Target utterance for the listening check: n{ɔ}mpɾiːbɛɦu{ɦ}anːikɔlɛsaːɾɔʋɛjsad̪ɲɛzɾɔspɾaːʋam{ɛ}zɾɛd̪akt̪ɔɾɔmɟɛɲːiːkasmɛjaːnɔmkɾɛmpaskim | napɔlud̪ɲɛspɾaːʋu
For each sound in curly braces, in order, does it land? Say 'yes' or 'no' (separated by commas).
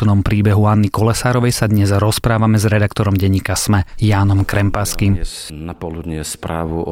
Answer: yes, no, yes